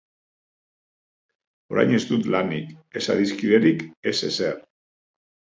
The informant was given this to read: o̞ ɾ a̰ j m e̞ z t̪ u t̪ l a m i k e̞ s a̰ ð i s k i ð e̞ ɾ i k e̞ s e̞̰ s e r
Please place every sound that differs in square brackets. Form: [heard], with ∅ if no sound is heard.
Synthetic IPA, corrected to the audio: o̞ ɾ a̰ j [ɲ] e̞ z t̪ u t̪ l a [n] i k e̞ s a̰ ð i s k i ð e̞ ɾ i k e̞ s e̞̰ s e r